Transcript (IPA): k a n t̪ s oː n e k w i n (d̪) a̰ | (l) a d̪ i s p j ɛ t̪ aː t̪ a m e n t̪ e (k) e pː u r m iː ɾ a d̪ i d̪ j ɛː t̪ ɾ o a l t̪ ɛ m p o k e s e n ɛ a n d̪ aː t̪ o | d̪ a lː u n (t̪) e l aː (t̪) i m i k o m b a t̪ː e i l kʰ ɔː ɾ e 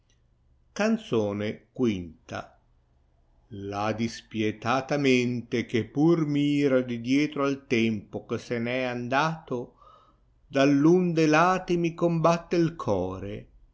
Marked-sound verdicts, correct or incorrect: incorrect: t̪, correct, correct, incorrect: d̪, correct

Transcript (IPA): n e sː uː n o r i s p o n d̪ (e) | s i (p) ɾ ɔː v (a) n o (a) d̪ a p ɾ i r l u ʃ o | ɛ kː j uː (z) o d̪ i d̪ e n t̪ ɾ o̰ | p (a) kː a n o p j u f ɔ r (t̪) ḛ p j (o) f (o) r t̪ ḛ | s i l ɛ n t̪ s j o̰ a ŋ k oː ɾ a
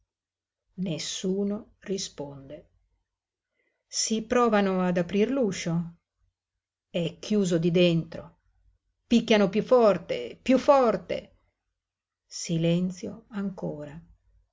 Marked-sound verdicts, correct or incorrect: correct, correct, correct, correct, correct, incorrect: i, correct, incorrect: u, incorrect: ɔ

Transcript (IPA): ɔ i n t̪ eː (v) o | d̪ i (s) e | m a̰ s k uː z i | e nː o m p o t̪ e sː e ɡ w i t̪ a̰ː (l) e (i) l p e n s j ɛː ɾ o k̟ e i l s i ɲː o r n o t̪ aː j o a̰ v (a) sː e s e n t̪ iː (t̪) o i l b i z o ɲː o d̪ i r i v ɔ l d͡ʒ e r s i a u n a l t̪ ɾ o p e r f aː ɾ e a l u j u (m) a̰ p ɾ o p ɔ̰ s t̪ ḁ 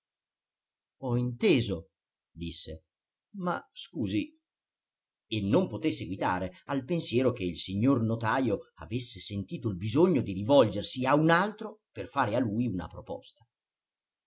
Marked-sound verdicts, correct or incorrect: incorrect: z, incorrect: sː, incorrect: ɾ, incorrect: a, incorrect: e, correct, incorrect: n

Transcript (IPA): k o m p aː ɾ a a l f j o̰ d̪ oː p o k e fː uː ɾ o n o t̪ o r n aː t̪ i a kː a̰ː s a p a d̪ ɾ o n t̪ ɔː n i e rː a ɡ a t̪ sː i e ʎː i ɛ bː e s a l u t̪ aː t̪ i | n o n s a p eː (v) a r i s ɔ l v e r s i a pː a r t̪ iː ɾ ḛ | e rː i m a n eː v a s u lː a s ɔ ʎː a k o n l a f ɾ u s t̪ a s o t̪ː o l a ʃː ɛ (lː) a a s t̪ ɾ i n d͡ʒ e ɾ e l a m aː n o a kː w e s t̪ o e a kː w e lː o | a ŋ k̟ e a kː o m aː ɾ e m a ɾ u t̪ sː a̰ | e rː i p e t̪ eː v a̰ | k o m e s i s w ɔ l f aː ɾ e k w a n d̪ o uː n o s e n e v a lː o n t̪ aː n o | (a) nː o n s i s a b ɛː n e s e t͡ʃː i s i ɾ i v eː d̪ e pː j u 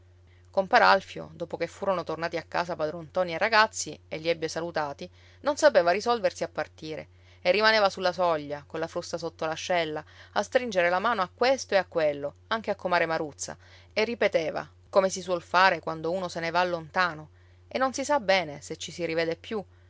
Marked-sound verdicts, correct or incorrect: correct, correct, incorrect: e

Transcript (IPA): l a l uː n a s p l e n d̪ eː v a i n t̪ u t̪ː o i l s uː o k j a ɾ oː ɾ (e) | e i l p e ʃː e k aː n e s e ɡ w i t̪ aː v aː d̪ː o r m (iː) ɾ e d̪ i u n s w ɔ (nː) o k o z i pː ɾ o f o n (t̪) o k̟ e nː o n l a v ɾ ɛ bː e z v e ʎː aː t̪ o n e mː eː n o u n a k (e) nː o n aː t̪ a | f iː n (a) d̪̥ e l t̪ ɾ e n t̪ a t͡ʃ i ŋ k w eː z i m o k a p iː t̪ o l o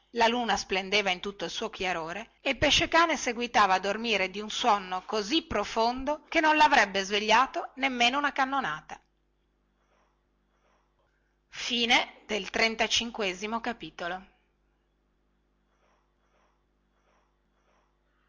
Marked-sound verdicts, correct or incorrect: correct, correct, correct, incorrect: d̪, incorrect: a, incorrect: e

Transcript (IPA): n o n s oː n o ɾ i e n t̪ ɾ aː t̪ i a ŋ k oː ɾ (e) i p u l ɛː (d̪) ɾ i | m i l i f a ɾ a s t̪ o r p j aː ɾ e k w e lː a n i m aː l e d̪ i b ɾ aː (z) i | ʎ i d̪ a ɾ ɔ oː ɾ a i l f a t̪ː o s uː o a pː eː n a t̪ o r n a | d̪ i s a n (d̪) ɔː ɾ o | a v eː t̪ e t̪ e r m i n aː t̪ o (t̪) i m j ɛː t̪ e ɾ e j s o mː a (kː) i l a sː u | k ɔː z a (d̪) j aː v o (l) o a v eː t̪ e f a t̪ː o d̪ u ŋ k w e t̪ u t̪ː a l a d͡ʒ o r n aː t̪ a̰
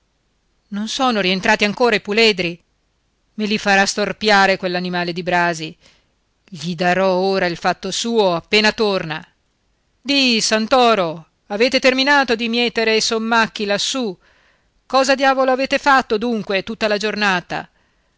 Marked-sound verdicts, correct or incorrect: incorrect: a, correct, correct, incorrect: t̪, incorrect: d̪, correct, correct, correct

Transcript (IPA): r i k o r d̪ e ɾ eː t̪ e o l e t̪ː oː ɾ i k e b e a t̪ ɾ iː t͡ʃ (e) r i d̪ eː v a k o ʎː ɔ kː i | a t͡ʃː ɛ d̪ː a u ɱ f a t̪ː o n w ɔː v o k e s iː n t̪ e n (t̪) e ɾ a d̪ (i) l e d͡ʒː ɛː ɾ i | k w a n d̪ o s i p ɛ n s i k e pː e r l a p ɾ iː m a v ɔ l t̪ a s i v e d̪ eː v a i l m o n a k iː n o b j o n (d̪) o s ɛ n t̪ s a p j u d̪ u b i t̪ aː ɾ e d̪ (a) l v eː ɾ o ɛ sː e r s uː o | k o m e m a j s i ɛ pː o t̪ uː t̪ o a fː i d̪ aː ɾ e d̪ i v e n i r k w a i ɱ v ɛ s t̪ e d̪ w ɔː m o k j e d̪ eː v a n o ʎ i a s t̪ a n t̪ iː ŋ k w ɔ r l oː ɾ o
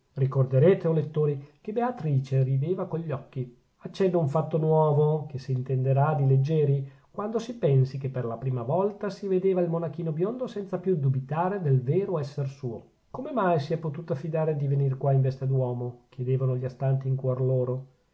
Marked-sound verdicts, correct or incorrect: correct, incorrect: d̪, correct, correct, incorrect: e

